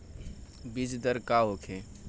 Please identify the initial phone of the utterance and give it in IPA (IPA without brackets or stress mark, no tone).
b